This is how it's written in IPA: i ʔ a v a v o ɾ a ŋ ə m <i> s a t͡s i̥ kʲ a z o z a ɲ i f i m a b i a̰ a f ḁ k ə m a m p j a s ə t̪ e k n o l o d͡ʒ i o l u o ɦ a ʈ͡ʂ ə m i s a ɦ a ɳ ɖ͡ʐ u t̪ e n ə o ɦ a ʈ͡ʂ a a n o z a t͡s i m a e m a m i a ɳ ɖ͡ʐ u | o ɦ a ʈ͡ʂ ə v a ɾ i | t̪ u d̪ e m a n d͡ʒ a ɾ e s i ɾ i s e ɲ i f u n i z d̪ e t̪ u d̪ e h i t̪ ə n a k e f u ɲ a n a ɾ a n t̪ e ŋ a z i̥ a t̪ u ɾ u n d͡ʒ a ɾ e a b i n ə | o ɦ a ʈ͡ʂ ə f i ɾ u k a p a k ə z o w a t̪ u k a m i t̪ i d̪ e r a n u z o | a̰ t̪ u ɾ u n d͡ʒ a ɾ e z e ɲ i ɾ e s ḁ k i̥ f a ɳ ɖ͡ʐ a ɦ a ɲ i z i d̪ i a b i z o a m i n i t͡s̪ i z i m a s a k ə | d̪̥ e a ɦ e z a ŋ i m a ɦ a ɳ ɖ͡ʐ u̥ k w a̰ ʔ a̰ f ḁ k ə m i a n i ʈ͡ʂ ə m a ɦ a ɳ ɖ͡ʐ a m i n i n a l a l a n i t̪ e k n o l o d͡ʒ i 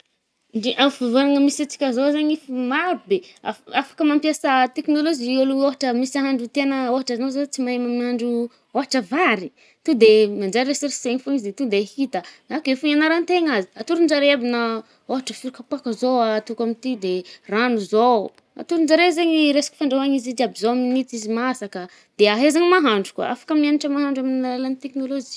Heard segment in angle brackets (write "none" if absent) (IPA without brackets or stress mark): i